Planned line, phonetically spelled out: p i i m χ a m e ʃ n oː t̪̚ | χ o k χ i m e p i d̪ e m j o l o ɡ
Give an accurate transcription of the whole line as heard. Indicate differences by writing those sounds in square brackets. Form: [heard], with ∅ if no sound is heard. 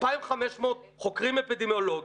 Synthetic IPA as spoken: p [a] i m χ a m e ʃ [m] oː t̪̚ | χ o k [ʁ] i m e p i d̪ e m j o l o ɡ